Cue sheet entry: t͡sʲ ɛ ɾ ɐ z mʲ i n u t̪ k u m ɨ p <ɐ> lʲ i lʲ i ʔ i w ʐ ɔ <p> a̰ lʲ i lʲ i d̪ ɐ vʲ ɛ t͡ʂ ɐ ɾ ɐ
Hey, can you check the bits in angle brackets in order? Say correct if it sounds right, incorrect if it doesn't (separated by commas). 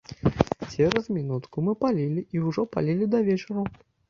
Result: incorrect, correct